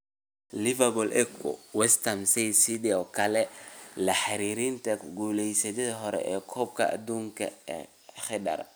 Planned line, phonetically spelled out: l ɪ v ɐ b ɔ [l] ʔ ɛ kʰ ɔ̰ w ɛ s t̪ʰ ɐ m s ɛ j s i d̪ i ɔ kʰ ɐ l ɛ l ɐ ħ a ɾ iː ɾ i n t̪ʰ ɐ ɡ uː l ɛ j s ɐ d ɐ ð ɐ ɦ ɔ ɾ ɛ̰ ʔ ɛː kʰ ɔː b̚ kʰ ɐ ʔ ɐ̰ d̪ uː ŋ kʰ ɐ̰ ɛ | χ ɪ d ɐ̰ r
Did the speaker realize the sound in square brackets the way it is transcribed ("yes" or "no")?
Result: yes